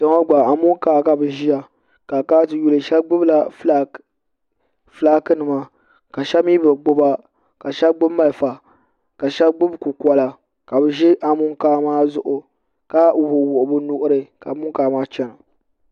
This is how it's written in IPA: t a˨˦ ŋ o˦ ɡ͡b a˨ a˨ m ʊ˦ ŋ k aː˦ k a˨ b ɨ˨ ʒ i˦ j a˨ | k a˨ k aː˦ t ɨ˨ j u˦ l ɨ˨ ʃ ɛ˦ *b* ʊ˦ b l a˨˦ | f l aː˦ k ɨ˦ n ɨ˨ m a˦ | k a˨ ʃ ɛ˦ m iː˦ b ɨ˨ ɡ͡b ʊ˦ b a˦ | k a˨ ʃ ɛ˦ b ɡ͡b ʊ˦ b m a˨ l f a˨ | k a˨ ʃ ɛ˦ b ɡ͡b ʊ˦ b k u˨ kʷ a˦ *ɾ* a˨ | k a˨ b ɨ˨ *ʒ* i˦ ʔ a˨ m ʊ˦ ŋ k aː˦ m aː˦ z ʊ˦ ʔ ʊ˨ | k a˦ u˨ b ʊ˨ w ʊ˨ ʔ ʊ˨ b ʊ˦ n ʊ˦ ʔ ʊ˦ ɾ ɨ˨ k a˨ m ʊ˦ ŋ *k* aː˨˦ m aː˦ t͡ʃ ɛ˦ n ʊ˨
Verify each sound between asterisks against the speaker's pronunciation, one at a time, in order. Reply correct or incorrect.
incorrect, incorrect, correct, correct

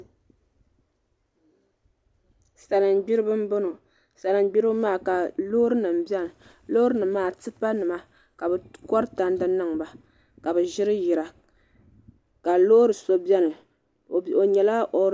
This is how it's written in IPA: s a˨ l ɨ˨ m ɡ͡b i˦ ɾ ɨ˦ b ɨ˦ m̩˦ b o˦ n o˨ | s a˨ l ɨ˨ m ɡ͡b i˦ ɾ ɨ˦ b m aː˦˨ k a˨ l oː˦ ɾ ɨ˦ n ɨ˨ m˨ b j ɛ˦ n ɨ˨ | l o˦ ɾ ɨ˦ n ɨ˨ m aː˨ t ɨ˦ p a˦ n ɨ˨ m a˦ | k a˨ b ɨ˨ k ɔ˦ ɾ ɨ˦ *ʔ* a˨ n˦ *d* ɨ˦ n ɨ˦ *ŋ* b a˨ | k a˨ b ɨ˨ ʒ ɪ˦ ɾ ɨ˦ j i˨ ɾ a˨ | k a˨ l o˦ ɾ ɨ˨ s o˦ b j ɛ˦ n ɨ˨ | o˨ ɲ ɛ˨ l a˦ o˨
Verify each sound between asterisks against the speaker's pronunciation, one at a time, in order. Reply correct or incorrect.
incorrect, correct, correct

